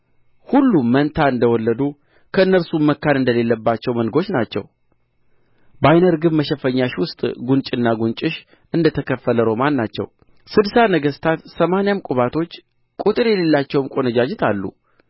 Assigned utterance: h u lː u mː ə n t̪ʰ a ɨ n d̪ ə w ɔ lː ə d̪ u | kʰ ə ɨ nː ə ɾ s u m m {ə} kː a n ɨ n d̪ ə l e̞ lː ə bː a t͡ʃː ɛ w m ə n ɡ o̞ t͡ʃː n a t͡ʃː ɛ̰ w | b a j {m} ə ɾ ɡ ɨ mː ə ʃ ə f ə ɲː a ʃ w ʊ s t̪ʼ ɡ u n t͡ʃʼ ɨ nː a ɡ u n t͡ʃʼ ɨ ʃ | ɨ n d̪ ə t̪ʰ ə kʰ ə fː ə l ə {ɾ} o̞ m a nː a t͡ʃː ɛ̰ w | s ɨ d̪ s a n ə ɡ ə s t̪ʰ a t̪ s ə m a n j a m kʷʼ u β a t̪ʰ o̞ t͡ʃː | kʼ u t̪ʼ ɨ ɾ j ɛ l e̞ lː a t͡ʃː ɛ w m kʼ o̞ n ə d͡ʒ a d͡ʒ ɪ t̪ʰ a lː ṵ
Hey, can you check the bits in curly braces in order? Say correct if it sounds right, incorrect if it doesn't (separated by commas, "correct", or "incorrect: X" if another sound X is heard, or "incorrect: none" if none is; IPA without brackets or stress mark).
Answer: correct, incorrect: n, correct